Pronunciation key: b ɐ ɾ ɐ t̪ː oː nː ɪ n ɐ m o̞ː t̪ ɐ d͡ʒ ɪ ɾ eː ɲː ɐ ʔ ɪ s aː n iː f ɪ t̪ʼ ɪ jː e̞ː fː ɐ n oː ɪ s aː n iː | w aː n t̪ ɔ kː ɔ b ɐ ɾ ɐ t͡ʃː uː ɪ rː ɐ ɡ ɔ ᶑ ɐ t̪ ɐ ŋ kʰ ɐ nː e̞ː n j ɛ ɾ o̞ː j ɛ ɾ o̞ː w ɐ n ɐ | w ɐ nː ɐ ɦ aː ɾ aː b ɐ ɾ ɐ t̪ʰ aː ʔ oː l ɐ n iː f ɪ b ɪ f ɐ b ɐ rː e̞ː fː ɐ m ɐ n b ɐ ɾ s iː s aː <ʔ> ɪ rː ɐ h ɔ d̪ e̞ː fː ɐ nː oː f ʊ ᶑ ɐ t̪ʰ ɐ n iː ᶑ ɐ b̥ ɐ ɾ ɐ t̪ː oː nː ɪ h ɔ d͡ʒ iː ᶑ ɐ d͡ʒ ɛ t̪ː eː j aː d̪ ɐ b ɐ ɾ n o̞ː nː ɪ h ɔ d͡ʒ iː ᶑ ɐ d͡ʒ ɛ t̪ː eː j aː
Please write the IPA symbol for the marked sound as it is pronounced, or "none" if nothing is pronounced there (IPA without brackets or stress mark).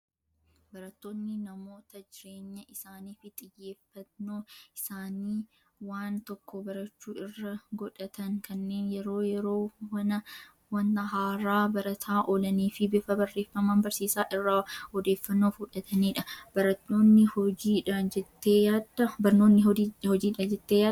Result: ʔ